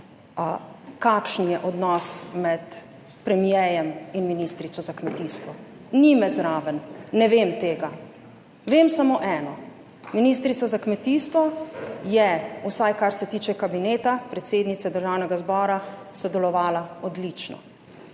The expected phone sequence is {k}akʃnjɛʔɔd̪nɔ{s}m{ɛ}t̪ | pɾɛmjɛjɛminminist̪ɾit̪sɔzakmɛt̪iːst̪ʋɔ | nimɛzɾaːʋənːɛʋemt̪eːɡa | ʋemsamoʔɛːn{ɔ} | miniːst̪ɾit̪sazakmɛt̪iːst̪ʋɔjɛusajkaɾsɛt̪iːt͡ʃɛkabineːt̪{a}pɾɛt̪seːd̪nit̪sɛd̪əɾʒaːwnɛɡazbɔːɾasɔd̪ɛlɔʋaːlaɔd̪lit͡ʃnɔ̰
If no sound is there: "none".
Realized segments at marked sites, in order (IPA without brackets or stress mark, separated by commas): k, s, ɛ, ɔ, a